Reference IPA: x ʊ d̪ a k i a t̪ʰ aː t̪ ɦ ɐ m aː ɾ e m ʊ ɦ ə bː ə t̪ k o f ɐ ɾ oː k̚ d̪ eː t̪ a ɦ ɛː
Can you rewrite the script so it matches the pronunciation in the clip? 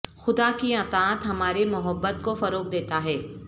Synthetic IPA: x ʊ d̪ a k i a t̪ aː t̪ ɦ ɐ m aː ɾ e m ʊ ɦ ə bː ə t̪ k o f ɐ ɾ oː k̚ d̪ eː t̪ a ɦ ɛː